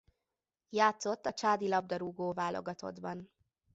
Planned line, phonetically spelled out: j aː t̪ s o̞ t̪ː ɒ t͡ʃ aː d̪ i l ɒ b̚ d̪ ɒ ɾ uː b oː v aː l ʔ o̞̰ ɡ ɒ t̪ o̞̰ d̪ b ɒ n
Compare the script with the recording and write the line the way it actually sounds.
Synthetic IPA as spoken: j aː t̪ s o̞ t̪ː ɒ t͡ʃ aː d̪ i l ɒ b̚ d̪ ɒ ɾ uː ɡ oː v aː l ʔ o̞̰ ɡ ɒ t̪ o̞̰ d̪ b ɒ n

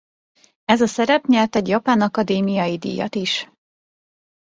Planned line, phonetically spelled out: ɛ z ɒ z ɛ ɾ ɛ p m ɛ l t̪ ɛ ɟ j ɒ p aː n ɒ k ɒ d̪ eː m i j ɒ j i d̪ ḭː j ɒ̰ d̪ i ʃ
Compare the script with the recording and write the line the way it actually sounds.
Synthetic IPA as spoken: ɛ z ɒ s ɛ ɾ ɛ p ɲ ɛ l t̪ ɛ ɟ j ɒ p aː n ɒ k ɒ d̪ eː m i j ɒ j i d̪ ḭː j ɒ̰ t̪ i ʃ

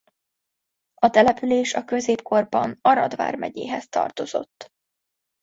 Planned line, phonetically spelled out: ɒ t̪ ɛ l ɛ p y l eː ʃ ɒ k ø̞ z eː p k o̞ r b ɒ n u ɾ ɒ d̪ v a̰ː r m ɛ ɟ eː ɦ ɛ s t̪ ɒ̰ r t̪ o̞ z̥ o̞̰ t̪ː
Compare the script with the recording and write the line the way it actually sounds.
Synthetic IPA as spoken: ɒ t̪ ɛ l ɛ p y l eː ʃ ɒ k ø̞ z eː p k o̞ r b ɒ n ɒ ɾ ɒ d̪ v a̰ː r m ɛ ɟ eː ɦ ɛ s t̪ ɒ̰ r t̪ o̞ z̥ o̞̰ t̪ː

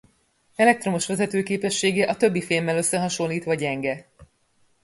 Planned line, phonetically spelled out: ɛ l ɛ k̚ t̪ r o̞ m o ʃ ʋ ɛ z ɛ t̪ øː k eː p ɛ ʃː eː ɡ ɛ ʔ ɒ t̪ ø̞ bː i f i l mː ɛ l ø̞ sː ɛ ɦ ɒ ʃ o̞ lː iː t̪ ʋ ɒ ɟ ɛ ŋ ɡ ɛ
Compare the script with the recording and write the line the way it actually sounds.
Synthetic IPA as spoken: ɛ l ɛ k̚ t̪ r o̞ m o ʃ ʋ ɛ z ɛ t̪ øː k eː p ɛ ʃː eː ɡ ɛ ʔ ɒ t̪ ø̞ bː i f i l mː ɛ l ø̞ sː ɛ ɦ ɒ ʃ o̞ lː iː t̪ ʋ ɒ ɟ ɛ ŋ ɡ ɛ

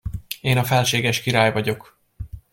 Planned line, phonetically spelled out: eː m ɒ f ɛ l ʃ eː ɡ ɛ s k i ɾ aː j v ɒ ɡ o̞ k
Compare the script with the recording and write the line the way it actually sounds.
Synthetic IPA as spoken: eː n ɒ f ɛ l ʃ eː ɡ ɛ ʃ k i ɾ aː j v ɒ ɟ o̞ k

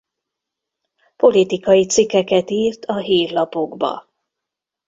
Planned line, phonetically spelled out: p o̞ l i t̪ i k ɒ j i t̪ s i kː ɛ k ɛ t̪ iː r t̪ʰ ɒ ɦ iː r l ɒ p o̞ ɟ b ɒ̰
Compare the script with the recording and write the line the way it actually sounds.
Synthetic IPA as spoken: p o̞ l i t̪ i k ɒ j i t̪ s i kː ɛ k ɛ t̪ iː r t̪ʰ ɒ ɦ iː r l ɒ p o̞ ɡ b ɒ̰

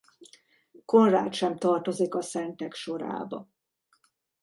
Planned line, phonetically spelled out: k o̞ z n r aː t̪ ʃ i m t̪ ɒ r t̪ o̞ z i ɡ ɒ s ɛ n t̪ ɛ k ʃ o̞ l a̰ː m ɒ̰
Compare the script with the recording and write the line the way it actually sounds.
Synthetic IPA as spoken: k o̞ n r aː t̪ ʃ ɛ m t̪ ɒ r t̪ o̞ z i k ɒ s ɛ n t̪ ɛ k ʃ o̞ ɾ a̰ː b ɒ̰

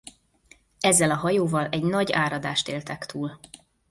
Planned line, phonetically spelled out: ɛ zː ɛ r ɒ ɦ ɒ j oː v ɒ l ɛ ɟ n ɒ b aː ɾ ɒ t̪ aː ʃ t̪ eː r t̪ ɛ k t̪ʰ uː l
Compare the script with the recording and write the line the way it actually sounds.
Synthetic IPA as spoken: ɛ zː ɛ l ɒ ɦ ɒ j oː v ɒ l ɛ ɟ n ɒ ɟ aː ɾ ɒ d̪ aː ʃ t̪ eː l t̪ ɛ k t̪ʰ uː l

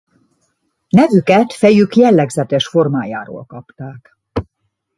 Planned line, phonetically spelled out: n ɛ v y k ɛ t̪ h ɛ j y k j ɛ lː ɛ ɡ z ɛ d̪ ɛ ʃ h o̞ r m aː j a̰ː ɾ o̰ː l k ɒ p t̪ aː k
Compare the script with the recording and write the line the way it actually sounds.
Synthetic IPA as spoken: n ɛ v y k ɛ t̪ f ɛ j y k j ɛ lː ɛ ɡ z ɛ t̪ ɛ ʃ f o̞ r m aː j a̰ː ɾ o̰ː l k ɒ p t̪ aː k

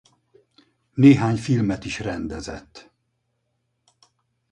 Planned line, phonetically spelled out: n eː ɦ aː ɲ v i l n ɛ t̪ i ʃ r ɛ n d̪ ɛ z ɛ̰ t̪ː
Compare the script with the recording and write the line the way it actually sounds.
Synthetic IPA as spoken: n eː ɦ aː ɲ f i l m ɛ t̪ i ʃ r ɛ n d̪ ɛ z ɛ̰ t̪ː

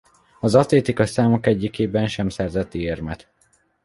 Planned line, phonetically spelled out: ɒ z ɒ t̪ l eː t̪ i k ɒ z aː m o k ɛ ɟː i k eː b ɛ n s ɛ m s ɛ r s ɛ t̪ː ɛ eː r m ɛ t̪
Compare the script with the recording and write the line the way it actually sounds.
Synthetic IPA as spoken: ɒ z ɒ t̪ l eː t̪ i k ɒ s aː m o k ɛ ɟː i k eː b ɛ n ʃ ɛ m s ɛ r z ɛ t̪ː i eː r m ɛ t̪

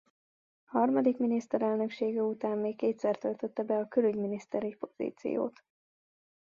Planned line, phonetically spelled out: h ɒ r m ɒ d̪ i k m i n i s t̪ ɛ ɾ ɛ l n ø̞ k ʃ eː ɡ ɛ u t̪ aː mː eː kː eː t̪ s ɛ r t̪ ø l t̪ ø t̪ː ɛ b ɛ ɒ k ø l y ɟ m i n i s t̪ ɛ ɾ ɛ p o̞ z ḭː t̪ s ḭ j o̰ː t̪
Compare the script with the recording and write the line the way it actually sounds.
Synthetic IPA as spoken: h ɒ r m ɒ d̪ i k m i n i s t̪ ɛ ɾ ɛ l n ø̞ k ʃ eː ɡ ɛ u t̪ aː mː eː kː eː t̪ s ɛ r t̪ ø l t̪ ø t̪ː ɛ b ɛ ɒ k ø l y ɟ m i n i s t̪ ɛ ɾ i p o̞ z ḭː t̪ s ḭ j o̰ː t̪

